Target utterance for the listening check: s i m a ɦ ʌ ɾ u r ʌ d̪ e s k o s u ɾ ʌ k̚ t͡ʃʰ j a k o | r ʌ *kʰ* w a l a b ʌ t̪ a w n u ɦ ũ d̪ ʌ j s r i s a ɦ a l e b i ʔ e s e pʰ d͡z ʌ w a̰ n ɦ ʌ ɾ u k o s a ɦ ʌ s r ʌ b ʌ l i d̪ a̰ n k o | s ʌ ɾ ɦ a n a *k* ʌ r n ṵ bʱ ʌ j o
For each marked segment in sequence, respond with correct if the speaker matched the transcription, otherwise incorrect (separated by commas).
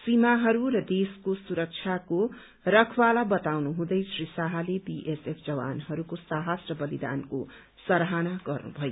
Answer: correct, incorrect